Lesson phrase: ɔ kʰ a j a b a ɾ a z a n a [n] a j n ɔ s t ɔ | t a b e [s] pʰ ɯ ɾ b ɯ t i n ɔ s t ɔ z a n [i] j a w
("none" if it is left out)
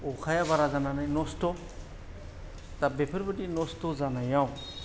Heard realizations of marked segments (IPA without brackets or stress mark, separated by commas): n, none, a